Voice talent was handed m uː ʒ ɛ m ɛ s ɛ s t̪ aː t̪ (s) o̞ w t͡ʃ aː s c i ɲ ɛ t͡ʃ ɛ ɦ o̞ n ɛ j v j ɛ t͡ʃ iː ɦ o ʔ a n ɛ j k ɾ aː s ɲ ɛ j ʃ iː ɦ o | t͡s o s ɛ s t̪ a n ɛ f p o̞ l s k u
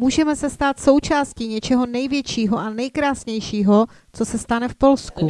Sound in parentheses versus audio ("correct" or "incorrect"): correct